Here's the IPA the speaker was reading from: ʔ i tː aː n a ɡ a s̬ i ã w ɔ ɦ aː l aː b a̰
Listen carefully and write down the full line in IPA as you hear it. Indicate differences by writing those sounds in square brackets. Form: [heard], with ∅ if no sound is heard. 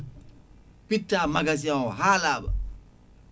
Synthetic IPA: [p] i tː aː [m] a ɡ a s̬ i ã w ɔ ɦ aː l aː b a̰

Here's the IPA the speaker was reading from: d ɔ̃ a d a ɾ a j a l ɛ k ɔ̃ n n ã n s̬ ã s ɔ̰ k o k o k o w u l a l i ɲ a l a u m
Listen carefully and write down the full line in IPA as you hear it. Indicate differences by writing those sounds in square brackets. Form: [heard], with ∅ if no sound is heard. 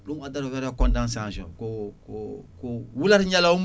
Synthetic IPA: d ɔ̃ a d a ɾ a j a [ɾ] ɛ k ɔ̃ n [d] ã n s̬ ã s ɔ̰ k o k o k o w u l a [ɾ] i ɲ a l a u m

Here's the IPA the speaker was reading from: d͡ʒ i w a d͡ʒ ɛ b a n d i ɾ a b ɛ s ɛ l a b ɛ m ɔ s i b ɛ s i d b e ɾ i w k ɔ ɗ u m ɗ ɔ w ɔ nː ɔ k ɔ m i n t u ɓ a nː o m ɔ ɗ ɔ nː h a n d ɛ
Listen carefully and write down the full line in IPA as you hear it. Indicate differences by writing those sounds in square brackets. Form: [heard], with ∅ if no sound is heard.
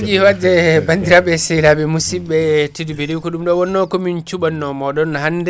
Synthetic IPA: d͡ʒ i w a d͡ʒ ɛ b a n d i ɾ a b ɛ s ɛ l a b ɛ m [u] s i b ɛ [t] i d b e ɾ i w k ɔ ɗ u m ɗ ɔ w ɔ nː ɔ k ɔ m i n [t͡ʃ] u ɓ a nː [ɔ] m ɔ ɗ ɔ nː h a n d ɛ

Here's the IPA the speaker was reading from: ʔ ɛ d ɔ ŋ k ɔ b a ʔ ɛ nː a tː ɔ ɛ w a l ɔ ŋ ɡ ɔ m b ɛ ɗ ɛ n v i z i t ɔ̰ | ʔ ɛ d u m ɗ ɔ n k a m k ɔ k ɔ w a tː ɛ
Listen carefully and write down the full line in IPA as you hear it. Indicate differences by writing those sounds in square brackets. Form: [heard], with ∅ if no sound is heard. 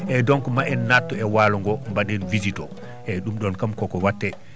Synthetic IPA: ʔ ɛ d ɔ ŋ k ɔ [m] a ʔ ɛ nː a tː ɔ ɛ w a l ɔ ŋ ɡ ɔ m b [a] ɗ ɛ n v i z i t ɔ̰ | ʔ ɛ [ɗ] u m ɗ ɔ n k a m k ɔ k ɔ w a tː ɛ

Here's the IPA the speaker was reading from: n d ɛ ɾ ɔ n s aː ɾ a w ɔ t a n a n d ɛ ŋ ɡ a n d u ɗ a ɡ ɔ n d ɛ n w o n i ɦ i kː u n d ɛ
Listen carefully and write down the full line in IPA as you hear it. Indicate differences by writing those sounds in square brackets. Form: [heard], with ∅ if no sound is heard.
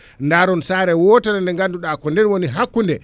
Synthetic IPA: n d [a] ɾ ɔ n s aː ɾ [ɛ] w ɔ t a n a n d ɛ ŋ ɡ a n d u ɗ a [k] ɔ n d ɛ n w o n i ɦ [a] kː u n d ɛ

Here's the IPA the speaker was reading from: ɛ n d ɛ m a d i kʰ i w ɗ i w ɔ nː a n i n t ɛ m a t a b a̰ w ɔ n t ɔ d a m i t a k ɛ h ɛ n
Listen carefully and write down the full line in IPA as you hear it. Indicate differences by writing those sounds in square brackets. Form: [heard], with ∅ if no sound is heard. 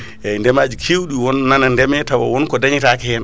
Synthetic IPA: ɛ n d ɛ m a [d͡ʒ] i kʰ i w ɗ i w ɔ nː a n [a] n [d] ɛ m [ɛ] t a [w] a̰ w ɔ n [k] ɔ d a [ɲ] i t a k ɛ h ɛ n

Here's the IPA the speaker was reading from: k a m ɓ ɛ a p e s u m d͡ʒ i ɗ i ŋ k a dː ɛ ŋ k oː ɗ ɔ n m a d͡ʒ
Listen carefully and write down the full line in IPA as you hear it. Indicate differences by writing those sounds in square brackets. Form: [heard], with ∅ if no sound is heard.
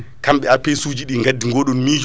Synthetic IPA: k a m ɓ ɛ a p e s u [∅] d͡ʒ i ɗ i ŋ [ɡ] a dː [i] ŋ [ɡ] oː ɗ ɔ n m [i] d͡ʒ

